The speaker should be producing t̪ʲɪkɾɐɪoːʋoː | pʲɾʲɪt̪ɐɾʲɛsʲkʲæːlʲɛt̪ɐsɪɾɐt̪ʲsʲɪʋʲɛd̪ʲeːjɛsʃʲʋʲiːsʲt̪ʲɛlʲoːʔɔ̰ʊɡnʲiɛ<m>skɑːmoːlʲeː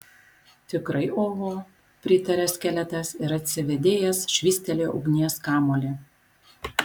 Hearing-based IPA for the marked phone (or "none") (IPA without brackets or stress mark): none